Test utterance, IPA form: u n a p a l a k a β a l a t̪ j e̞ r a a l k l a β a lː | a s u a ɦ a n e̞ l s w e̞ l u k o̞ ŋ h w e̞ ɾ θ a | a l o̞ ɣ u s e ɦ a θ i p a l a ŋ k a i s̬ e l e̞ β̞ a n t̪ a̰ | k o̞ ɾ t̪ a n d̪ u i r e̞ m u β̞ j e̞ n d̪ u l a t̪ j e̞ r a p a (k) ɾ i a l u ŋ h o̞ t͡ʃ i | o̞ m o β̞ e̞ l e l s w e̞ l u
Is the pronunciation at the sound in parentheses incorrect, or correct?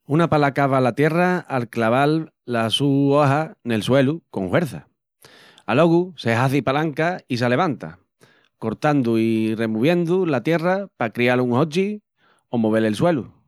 correct